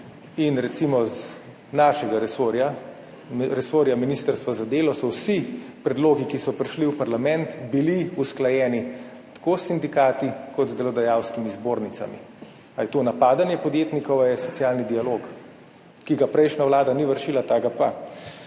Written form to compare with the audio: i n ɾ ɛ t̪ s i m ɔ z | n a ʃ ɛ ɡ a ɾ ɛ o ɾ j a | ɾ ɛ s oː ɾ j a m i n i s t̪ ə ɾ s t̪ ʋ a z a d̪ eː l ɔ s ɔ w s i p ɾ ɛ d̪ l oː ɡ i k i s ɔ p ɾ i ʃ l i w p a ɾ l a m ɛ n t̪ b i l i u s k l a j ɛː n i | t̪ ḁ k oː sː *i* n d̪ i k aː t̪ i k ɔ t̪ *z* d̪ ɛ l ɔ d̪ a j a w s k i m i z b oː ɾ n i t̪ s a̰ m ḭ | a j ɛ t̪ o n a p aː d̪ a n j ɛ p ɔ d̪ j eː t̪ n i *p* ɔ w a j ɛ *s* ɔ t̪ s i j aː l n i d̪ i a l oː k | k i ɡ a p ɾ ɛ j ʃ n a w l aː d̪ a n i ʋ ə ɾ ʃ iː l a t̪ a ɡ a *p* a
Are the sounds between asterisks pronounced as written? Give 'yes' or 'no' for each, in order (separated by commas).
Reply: yes, yes, no, yes, yes